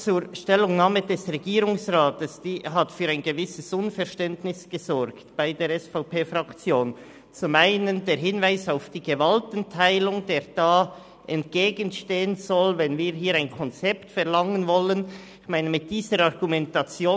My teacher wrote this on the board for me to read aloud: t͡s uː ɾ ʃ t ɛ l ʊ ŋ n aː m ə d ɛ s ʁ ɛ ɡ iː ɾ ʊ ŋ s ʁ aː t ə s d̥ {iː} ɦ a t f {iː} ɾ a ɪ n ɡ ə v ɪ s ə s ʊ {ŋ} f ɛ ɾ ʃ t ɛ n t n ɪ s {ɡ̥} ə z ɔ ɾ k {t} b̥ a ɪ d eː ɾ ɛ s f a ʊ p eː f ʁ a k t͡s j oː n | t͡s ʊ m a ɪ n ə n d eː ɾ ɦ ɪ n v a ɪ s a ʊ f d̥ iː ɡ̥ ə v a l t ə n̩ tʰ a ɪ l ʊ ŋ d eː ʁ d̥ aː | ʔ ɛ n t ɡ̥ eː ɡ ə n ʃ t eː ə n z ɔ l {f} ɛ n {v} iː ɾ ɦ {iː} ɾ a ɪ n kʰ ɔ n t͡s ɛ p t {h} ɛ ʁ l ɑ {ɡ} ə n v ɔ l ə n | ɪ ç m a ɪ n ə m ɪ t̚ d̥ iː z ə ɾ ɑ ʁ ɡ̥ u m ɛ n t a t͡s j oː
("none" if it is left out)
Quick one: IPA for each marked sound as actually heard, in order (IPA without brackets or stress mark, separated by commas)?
iː, yː, n, ɡ̥, t, v, v, iː, f, ŋ